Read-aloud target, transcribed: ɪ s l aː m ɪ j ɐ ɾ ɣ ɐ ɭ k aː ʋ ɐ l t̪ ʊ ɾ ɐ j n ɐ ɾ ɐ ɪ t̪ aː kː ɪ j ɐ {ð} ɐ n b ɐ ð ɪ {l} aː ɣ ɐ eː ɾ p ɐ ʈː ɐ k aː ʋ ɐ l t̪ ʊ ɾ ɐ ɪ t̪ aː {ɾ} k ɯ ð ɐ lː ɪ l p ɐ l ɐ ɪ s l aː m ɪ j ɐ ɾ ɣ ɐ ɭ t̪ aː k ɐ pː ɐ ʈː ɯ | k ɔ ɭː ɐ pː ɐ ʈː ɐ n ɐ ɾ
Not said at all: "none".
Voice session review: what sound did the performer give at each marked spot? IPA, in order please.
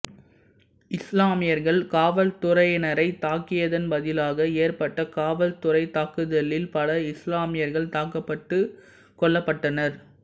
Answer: ð, l, none

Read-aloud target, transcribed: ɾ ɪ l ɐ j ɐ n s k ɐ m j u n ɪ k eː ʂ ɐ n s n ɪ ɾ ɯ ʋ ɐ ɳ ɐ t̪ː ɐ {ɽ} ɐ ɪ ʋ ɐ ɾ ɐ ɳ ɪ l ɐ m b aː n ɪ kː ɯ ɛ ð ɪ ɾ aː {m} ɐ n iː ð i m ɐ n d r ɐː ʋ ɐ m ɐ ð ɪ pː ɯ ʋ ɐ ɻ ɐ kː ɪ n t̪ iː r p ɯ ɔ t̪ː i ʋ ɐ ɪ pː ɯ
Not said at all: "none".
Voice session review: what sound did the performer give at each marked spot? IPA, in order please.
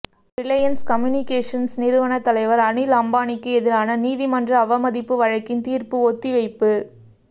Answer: l, n

